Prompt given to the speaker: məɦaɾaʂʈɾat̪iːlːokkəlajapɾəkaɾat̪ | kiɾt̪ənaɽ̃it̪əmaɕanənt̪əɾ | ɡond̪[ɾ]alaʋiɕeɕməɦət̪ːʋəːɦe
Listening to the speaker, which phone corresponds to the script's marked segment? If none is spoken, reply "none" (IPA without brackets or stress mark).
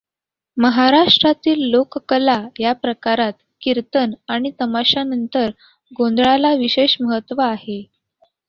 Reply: ɭ